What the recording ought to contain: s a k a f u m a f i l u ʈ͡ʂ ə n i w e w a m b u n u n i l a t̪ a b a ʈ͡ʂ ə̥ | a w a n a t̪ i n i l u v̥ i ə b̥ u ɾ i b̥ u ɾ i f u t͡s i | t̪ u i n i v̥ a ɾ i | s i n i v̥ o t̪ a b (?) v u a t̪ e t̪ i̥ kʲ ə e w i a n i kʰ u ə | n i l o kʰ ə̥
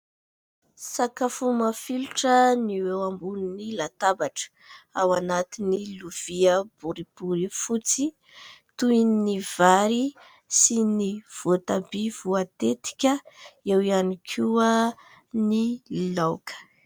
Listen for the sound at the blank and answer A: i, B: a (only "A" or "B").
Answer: A